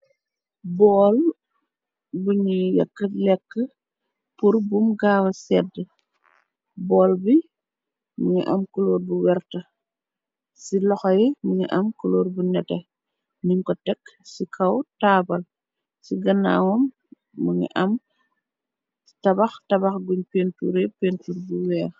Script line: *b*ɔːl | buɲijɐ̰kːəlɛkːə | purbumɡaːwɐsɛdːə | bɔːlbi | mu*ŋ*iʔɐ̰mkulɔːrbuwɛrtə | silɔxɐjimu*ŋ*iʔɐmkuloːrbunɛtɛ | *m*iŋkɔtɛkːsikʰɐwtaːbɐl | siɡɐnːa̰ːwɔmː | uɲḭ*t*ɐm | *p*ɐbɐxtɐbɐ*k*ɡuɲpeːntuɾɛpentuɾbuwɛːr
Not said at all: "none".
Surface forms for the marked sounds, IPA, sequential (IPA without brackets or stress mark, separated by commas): b, ɲ, ɲ, n, ʔ, t, x